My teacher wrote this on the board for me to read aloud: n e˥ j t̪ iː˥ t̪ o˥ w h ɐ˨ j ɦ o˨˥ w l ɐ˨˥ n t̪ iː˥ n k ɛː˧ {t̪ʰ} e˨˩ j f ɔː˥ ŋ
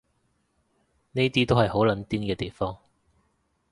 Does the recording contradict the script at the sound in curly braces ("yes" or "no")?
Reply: yes